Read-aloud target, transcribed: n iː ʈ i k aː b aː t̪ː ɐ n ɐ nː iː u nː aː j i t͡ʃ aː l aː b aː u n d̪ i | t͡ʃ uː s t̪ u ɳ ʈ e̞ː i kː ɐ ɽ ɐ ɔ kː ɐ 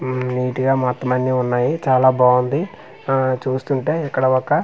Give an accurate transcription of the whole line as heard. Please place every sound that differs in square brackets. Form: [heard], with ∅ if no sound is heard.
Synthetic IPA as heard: n iː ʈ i [ɡ] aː [m] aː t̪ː ɐ [m] ɐ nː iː u nː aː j i t͡ʃ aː l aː b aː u n d̪ i | t͡ʃ uː s t̪ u ɳ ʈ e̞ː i kː ɐ ɽ ɐ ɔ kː ɐ

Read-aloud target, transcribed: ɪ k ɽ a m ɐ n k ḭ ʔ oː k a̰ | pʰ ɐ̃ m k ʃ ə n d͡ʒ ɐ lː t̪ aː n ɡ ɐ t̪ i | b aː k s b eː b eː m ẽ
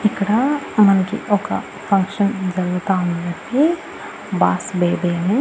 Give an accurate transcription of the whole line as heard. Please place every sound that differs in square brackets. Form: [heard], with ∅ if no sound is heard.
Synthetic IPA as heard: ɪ k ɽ a m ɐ n k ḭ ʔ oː k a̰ | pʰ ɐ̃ [ŋ] k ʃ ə n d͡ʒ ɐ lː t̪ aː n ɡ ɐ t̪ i | b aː [∅] s b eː b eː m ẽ

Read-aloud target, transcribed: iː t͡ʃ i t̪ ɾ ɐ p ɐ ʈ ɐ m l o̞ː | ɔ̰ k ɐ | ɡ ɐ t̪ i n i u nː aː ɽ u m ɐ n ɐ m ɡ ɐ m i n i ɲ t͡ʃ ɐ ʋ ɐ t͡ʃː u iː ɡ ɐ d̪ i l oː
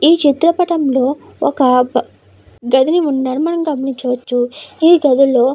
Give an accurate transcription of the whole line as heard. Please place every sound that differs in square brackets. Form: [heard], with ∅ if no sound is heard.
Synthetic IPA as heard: iː t͡ʃ i t̪ ɾ ɐ p ɐ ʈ ɐ m l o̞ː | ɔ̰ k ɐ | ɡ ɐ [d̪] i n i u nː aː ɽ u m ɐ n ɐ m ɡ ɐ m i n i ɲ t͡ʃ ɐ ʋ ɐ t͡ʃː u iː ɡ ɐ d̪ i l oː

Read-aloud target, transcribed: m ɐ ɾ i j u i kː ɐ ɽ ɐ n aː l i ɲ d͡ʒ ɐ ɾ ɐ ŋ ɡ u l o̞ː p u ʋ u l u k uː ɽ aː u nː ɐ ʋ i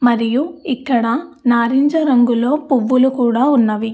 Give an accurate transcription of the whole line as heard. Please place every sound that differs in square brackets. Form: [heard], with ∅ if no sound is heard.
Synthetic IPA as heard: m ɐ ɾ i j u i kː ɐ ɽ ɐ n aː [ɾ] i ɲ d͡ʒ ɐ ɾ ɐ ŋ ɡ u l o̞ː p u [ʋː] u l u k uː ɽ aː u nː ɐ ʋ i

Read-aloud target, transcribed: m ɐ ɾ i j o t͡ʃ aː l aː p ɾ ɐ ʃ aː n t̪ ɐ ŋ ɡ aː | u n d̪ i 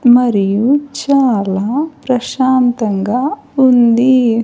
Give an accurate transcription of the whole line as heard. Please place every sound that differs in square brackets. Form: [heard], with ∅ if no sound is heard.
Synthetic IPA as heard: m ɐ ɾ i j [u] t͡ʃ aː l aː p ɾ ɐ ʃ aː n t̪ ɐ ŋ ɡ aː | u n d̪ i

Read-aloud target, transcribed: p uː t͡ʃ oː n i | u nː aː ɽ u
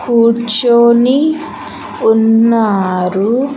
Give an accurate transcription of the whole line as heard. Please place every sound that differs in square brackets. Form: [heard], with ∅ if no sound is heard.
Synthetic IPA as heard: [k] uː t͡ʃ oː n i | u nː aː [ɾ] u

